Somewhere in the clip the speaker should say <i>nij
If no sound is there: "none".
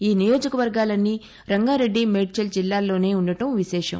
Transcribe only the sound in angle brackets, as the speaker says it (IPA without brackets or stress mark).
iː